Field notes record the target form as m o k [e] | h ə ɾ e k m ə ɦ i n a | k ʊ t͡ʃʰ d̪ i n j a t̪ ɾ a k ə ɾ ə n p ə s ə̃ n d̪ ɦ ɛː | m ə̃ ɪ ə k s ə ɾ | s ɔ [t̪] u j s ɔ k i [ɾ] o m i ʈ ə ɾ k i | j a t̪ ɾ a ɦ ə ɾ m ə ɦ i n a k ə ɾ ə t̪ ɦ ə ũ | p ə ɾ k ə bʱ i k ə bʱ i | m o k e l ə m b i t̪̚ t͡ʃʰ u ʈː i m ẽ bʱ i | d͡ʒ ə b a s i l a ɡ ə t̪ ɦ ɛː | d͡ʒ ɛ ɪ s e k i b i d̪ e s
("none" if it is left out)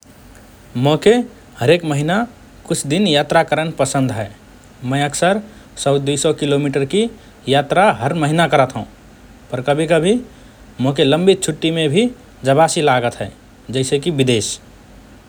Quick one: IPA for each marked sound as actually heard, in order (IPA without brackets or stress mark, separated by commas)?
e, d̪, l